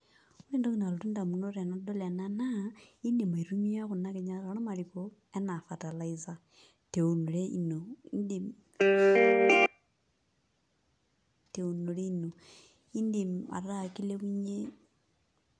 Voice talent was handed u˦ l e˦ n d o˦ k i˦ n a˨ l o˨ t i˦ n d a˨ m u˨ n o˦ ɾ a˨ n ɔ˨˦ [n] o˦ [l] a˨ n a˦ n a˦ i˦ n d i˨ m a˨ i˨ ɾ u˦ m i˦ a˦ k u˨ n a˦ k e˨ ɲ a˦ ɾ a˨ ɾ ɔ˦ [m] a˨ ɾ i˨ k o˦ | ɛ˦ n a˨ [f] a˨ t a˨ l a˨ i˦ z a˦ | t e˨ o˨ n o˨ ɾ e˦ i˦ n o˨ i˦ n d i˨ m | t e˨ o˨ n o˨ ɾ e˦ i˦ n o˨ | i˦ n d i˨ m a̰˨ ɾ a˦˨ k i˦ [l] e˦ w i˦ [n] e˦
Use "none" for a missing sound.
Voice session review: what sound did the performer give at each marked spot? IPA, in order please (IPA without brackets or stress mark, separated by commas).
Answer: d, l, m, f, l, ɲ